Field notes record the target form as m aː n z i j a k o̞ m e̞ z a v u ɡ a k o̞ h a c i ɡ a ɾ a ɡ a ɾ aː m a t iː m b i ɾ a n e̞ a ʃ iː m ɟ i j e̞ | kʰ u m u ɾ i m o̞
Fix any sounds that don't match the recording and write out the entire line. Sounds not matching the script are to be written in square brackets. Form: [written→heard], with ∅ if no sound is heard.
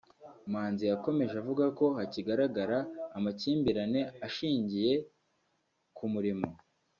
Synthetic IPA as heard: m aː n z i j a k o̞ m e̞ [z→ʒ] a v u ɡ a k o̞ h a c i ɡ a ɾ a ɡ a ɾ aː m a [t→c] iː m b i ɾ a n e̞ a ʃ iː [m→ɲ] ɟ i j e̞ | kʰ u m u ɾ i m o̞